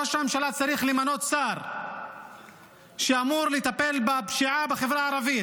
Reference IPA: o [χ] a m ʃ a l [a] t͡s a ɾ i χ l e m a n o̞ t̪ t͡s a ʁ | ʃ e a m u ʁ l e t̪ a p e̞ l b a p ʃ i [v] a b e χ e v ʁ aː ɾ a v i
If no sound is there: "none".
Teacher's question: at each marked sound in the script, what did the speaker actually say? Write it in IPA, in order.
ʃ, a, ʕ

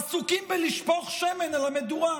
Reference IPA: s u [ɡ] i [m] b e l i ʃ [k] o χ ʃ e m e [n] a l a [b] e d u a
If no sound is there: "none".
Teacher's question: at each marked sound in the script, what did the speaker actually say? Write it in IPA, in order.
k, m, p, n, m

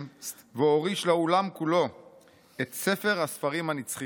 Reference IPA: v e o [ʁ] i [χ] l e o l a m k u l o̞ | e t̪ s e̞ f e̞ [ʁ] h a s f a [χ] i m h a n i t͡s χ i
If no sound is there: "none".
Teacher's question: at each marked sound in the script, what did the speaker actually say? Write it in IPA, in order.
ʁ, ʃ, ʁ, ʁ

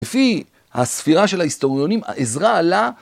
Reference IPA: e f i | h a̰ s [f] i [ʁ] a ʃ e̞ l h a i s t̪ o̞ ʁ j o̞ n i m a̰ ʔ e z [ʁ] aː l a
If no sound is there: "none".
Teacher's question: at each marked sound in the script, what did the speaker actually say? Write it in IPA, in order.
f, ʁ, ʁ

